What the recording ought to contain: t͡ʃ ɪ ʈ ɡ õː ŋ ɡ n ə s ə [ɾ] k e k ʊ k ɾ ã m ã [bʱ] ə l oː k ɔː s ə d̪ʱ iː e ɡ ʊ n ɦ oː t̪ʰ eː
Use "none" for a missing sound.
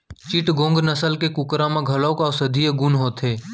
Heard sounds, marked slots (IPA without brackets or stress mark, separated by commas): l, ɡʱ